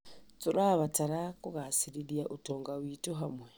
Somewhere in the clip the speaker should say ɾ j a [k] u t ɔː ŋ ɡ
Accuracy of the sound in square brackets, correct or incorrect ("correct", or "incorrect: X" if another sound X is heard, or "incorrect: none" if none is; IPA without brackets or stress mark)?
incorrect: ʔ